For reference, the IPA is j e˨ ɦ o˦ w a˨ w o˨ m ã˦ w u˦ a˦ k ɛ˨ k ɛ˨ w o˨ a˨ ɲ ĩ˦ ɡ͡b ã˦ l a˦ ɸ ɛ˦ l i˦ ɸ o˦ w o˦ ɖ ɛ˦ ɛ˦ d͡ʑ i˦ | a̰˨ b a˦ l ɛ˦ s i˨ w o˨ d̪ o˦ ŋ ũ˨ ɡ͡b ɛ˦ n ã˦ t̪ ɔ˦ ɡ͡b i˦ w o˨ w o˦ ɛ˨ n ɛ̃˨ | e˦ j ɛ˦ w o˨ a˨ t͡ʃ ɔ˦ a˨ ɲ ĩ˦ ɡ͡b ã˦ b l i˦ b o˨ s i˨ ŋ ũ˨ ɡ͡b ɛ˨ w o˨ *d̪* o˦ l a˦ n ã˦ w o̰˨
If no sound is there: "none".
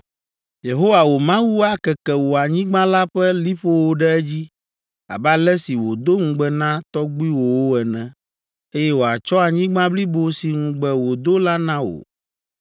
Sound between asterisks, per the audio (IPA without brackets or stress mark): d̪